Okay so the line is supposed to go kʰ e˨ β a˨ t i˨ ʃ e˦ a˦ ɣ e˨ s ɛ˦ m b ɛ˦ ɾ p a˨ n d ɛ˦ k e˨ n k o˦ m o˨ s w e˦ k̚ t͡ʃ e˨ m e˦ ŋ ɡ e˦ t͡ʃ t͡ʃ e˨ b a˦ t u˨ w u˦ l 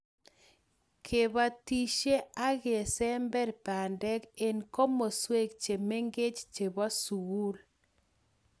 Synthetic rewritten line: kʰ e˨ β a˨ t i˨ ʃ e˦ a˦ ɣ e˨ s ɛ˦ m b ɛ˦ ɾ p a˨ n d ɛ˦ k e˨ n k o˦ m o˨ s w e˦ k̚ t͡ʃ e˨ m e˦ ŋ ɡ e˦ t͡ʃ t͡ʃ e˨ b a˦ s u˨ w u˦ l